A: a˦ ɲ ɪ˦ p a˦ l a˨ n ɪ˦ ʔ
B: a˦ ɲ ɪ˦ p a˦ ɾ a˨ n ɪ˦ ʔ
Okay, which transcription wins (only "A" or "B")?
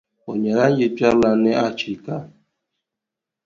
A